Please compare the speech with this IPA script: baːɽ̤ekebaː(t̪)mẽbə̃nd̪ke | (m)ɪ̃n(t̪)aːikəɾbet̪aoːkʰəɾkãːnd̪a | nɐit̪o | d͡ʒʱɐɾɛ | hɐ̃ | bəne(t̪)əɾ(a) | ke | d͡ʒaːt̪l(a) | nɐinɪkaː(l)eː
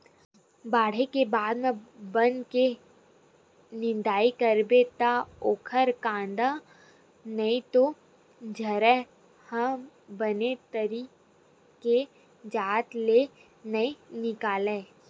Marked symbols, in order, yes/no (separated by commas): no, no, no, yes, no, no, yes